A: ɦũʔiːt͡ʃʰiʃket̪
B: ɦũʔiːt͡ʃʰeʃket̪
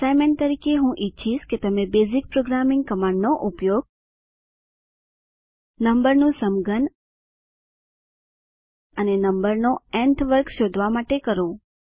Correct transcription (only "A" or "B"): A